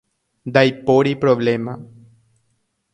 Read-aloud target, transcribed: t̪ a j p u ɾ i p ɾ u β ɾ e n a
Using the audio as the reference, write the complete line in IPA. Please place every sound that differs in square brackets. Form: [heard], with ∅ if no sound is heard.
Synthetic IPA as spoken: [d̪] a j p [o] ɾ i p ɾ [o] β [l] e [m] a